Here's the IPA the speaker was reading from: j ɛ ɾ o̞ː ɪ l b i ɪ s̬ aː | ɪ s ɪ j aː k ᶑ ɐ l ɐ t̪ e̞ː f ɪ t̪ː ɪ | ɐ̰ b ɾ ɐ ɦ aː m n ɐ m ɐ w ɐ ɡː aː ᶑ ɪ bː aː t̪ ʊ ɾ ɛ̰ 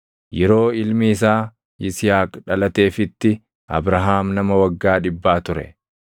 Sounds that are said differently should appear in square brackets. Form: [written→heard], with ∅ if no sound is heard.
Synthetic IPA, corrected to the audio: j ɛ ɾ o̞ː ɪ l [b→m] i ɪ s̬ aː | ɪ s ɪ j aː k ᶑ ɐ l ɐ t̪ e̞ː f ɪ t̪ː ɪ | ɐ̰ b ɾ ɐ ɦ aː m n ɐ m ɐ w ɐ ɡː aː ᶑ ɪ bː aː t̪ ʊ ɾ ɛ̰